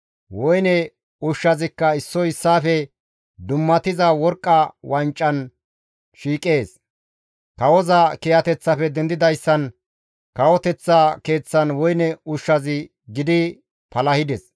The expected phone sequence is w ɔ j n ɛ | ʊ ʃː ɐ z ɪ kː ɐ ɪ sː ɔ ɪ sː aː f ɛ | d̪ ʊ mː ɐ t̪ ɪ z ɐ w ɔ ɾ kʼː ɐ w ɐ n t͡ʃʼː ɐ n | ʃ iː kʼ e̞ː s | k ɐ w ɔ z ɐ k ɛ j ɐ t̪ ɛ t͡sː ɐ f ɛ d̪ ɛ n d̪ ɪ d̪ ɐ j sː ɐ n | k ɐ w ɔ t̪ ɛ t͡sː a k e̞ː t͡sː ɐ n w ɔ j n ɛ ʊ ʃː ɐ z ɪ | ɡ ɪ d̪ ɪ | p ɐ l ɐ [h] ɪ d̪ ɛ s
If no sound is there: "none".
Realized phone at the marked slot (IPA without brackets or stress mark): h